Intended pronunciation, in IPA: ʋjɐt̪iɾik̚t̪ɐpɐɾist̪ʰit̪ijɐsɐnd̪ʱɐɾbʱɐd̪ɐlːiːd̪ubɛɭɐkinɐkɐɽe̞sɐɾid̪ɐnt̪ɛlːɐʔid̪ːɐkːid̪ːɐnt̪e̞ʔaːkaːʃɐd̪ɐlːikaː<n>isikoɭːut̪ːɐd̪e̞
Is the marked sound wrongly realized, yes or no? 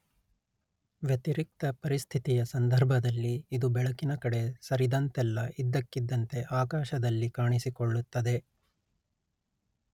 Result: yes